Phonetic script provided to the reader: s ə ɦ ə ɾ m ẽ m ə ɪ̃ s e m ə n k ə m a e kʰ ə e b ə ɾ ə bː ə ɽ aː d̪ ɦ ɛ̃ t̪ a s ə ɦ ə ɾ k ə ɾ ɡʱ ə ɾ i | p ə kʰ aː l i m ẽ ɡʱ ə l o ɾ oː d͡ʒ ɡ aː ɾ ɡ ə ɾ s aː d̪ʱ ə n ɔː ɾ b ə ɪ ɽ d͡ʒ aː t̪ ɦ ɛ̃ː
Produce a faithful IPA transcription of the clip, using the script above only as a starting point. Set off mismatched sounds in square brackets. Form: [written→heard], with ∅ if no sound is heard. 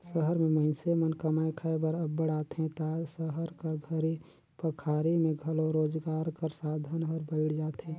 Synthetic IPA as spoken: s ə ɦ ə ɾ m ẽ m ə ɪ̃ s e m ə n k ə m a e kʰ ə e b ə ɾ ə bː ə ɽ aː [d̪→t̪] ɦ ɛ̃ t̪ a s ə ɦ ə ɾ k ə ɾ ɡʱ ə ɾ i | p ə kʰ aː [l→ɾ] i m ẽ ɡʱ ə l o ɾ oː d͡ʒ ɡ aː ɾ [ɡ→k] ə ɾ s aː d̪ʱ ə n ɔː ɾ b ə ɪ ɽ d͡ʒ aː t̪ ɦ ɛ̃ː